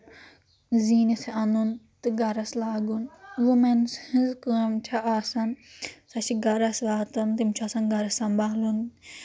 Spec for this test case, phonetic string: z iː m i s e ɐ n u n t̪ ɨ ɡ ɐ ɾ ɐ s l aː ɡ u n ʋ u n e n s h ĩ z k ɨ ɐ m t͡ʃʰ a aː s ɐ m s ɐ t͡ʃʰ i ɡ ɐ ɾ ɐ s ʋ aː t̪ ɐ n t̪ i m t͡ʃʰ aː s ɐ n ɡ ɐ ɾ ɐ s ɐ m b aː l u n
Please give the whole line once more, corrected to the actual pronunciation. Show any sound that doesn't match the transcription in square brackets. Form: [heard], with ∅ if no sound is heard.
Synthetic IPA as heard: z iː [n] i s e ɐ n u n t̪ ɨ ɡ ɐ ɾ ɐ s l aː ɡ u n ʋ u [m] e n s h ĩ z k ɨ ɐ m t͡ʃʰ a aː s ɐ [n] s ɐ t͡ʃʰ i ɡ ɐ ɾ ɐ s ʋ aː t̪ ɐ n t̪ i m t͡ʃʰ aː s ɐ n ɡ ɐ ɾ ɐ s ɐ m b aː l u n